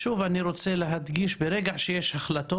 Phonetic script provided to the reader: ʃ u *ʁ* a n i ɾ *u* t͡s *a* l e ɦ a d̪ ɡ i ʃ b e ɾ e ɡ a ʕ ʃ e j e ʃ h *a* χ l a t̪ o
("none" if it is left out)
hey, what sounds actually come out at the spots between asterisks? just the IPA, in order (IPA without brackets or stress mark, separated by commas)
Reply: v, o, e, a